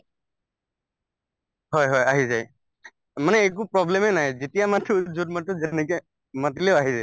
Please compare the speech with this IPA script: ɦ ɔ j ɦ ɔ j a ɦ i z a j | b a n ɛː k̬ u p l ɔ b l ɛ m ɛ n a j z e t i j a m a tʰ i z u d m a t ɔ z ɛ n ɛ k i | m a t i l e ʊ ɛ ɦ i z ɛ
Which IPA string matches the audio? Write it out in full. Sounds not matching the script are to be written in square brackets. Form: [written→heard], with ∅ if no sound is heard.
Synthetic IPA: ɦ ɔ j ɦ ɔ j a ɦ i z a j | [b→m] a n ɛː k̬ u p [l→ɹ] ɔ b l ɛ m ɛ n a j z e t i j a m a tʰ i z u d m a t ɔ z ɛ n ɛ k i | m a t i l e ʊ [ɛ→a] ɦ i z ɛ